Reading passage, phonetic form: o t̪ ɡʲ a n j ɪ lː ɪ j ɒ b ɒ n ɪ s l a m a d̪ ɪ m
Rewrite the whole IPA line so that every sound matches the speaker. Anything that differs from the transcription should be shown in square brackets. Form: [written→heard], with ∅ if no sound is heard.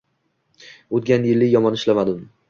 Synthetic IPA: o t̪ ɡʲ a n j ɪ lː ɪ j ɒ [b→m] ɒ n ɪ [s→ʃ] l a m a d̪ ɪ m